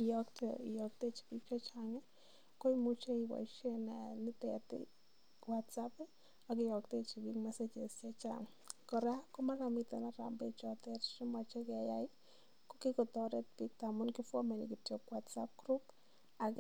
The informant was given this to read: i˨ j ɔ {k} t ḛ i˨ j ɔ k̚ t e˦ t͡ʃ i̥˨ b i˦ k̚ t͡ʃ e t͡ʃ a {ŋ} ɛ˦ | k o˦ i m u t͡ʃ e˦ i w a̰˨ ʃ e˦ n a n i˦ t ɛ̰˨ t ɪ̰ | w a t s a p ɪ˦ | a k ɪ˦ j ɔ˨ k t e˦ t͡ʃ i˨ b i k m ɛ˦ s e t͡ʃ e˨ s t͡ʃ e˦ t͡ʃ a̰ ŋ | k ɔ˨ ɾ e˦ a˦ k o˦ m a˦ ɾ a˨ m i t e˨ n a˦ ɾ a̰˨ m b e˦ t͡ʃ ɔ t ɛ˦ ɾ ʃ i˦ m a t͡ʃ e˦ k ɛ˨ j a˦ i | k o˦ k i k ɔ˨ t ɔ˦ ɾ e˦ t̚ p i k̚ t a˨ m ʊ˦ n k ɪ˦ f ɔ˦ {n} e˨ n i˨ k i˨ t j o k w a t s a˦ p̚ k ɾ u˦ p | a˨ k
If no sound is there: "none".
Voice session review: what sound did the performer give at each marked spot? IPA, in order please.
k, ŋ, m

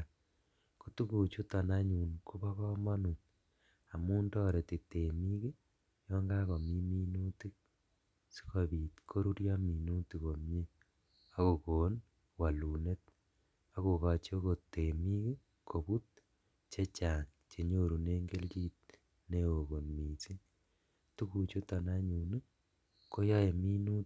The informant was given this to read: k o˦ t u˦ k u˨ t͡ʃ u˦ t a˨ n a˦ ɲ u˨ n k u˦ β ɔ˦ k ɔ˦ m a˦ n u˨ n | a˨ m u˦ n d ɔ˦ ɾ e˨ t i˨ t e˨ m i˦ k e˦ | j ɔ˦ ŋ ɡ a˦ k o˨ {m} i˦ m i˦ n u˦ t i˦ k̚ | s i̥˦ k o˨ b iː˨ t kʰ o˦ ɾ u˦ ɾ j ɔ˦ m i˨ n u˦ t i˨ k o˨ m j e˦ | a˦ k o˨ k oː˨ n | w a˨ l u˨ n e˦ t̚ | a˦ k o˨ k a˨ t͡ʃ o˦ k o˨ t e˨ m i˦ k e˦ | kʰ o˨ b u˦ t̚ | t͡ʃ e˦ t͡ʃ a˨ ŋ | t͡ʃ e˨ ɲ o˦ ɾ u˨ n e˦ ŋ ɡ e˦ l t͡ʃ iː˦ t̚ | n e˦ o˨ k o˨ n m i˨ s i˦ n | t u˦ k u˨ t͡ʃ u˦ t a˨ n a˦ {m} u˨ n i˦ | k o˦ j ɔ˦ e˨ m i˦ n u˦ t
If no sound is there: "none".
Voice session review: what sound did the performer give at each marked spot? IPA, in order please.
m, ɲ

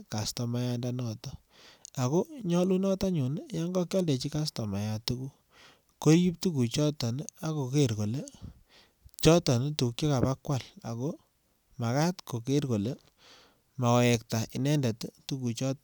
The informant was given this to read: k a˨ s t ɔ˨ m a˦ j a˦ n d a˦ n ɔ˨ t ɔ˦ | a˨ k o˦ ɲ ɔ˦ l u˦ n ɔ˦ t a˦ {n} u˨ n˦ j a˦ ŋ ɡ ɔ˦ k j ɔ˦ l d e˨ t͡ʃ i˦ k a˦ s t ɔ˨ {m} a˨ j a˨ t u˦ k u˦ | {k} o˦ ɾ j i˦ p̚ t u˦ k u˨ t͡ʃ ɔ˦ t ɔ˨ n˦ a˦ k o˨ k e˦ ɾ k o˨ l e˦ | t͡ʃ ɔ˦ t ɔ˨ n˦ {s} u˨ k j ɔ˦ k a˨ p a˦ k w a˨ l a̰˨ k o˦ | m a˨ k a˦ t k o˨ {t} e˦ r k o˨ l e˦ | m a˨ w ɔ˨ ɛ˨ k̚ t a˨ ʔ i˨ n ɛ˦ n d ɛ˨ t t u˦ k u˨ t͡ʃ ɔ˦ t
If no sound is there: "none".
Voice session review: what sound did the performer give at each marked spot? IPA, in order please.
ɲ, m, k, t, k

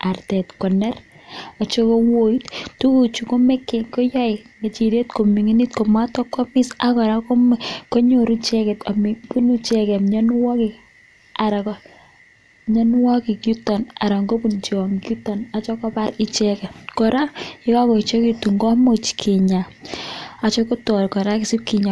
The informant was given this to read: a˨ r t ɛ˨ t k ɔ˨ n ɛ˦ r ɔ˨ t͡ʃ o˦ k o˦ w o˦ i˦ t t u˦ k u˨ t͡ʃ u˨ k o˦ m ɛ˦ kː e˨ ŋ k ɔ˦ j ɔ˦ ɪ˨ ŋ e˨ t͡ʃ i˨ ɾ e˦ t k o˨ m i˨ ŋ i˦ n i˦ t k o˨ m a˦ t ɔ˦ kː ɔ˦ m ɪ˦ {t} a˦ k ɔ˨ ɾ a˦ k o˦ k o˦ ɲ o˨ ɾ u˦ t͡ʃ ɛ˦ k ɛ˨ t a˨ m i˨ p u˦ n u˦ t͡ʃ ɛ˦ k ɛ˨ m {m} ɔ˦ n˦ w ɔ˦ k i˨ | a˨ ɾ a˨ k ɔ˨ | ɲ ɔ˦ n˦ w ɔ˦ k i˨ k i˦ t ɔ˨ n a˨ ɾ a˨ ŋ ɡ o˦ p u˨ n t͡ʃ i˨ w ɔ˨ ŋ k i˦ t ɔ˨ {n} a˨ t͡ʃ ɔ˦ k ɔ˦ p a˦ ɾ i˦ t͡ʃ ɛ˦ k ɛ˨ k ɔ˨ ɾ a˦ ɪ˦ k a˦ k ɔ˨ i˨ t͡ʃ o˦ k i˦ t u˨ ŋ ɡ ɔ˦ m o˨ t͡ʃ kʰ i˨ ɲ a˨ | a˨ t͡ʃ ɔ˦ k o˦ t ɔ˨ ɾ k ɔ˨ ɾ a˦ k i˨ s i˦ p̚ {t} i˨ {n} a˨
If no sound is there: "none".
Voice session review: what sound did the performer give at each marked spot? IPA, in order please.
s, ɲ, n, k, ɲ

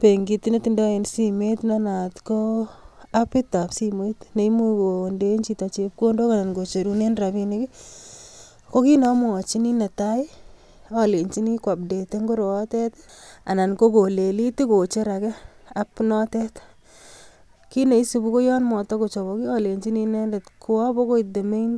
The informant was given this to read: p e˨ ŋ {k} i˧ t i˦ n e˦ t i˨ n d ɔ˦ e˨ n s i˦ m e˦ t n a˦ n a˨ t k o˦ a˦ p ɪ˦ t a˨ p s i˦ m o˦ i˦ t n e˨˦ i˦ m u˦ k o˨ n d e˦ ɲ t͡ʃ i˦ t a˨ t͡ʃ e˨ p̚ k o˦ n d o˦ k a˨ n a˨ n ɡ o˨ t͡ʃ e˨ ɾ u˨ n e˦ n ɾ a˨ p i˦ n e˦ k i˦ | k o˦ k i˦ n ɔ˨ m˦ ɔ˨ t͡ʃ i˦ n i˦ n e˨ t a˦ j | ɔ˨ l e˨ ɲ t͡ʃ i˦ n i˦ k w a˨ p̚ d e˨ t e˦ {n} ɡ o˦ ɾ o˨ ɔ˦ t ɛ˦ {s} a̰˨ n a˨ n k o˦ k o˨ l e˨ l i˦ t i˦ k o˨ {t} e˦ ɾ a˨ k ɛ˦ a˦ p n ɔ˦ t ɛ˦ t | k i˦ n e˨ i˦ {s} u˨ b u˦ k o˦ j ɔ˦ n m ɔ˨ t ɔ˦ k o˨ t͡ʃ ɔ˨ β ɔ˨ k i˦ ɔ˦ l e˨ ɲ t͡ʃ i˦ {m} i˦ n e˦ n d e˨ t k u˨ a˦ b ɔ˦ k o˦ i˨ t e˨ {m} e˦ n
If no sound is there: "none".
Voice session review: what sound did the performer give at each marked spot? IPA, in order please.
ɡ, ŋ, t, t͡ʃ, s, n, m

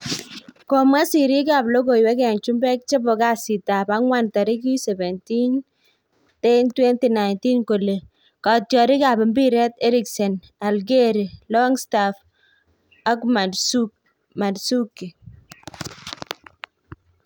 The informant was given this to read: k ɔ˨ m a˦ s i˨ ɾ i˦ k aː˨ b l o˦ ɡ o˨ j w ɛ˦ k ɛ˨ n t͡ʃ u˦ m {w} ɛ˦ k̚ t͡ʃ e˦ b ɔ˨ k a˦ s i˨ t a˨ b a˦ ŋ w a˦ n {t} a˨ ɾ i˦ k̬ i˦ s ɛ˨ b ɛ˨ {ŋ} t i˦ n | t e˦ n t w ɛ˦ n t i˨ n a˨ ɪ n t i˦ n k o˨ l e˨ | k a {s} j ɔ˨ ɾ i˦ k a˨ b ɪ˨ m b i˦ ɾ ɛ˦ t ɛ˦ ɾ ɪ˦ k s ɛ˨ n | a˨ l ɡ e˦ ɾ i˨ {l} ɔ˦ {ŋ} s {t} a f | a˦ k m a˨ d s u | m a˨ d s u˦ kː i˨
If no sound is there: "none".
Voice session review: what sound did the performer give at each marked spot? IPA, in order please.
b, t, n, t, l, ŋ, t

